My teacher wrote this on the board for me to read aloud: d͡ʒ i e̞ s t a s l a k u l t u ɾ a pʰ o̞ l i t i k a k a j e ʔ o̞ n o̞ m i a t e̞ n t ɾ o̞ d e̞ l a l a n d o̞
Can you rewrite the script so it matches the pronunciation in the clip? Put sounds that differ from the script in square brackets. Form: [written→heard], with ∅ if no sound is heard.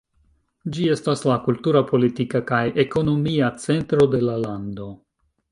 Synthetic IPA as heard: d͡ʒ i e̞ s t a s l a k u l t u ɾ a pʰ o̞ l i t i k a k a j e [ʔ→k] o̞ n o̞ m i a [t→t͡s] e̞ n t ɾ o̞ d e̞ l a l a n d o̞